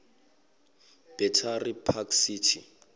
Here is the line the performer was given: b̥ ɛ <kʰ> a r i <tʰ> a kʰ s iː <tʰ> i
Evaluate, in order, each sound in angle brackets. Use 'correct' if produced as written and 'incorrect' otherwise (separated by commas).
incorrect, incorrect, correct